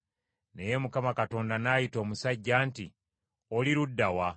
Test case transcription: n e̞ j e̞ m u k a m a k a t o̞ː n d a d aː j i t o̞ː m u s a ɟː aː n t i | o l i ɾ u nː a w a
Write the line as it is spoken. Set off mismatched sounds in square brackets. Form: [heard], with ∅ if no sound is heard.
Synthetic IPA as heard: n e̞ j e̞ m u k a m a k a t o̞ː n d a [n] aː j i t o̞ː m u s a ɟː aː n t i | o l i ɾ u [dː] a w a